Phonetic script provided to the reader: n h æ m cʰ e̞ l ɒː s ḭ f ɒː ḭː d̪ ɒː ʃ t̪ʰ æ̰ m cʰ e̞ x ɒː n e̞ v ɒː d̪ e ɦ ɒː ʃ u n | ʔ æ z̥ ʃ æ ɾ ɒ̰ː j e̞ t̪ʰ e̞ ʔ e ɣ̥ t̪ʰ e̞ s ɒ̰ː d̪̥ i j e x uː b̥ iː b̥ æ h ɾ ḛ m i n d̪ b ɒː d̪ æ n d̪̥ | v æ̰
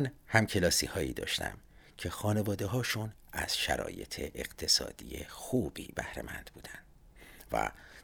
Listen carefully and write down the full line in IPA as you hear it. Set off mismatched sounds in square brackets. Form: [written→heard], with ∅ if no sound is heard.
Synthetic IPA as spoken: n h æ m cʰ e̞ l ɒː s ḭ [f→h] ɒː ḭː d̪ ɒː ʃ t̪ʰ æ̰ m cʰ e̞ x ɒː n e̞ v ɒː d̪ e ɦ ɒː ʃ u n | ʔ æ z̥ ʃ æ ɾ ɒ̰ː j e̞ t̪ʰ e̞ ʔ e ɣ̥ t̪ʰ e̞ s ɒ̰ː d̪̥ i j e x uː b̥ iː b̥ æ h ɾ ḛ m [i→æ] n d̪ b [ɒː→uː] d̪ æ n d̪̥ | v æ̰